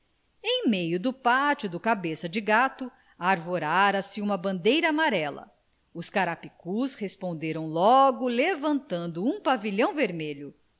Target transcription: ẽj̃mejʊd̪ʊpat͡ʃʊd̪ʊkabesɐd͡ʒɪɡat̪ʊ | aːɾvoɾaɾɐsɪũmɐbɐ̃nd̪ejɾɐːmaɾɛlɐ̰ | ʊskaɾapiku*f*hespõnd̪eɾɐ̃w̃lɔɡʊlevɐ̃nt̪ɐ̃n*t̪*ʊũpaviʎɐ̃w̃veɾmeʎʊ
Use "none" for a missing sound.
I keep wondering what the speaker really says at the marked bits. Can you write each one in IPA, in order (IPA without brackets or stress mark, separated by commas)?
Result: s, d̪